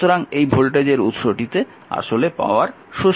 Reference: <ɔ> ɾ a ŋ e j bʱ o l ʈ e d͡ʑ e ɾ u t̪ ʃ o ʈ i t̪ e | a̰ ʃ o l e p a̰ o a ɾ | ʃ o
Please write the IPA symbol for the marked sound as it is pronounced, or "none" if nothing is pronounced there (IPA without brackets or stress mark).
o